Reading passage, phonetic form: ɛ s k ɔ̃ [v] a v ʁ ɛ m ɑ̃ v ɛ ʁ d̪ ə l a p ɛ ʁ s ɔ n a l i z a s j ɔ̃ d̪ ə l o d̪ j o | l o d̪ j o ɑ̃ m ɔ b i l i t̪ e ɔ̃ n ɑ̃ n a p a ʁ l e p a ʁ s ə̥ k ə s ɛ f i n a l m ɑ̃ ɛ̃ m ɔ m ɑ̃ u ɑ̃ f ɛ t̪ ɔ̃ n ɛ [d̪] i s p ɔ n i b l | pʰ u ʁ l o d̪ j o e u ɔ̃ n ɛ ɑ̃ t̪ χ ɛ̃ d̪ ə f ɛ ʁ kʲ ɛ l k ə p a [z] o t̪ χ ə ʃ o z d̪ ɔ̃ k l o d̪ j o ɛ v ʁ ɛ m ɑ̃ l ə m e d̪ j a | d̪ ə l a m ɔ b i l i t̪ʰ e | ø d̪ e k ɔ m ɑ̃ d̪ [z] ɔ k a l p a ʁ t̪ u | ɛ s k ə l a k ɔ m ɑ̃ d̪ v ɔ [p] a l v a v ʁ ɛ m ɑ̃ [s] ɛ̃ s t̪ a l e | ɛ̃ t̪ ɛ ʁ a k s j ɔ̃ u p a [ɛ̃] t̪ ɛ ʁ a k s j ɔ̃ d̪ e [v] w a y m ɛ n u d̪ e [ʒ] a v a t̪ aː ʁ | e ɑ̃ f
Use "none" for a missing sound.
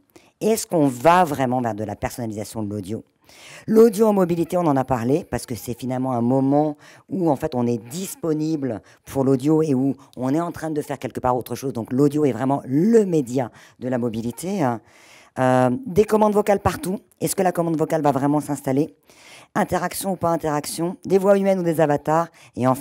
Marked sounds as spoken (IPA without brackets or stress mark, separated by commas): v, d̪, ʁ, v, k, s, ɛ̃, v, z